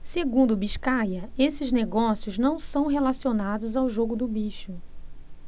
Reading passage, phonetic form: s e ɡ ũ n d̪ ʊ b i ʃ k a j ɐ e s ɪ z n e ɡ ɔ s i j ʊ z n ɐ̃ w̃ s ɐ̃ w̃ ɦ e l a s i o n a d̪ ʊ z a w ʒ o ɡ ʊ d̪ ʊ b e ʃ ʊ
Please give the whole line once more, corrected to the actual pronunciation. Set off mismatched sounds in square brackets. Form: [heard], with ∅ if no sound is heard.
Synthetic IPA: s e ɡ ũ n d̪ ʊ b i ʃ k a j ɐ e s ɪ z n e ɡ ɔ s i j ʊ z n ɐ̃ w̃ s ɐ̃ w̃ ɦ e l a s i o n a d̪ ʊ z a w ʒ o ɡ ʊ d̪ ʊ b [i] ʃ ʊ